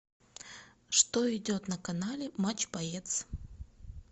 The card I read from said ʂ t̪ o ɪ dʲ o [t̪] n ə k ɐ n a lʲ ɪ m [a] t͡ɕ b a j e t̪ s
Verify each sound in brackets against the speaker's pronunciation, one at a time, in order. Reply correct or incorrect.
correct, correct

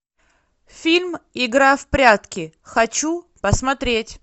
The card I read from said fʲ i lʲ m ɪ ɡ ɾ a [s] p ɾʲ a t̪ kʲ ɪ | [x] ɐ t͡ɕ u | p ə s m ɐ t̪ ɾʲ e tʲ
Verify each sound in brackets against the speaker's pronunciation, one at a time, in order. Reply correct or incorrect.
incorrect, correct

